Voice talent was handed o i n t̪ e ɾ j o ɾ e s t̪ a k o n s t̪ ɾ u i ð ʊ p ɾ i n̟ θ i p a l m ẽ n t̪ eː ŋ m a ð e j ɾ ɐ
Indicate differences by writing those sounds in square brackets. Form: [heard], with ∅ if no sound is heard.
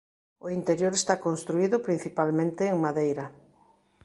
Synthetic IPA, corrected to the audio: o i n t̪ e ɾ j o ɾ e s t̪ a k o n s t̪ ɾ u i ð ʊ p ɾ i n̟ θ i p a l m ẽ n t̪ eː ŋ m a ð e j ɾ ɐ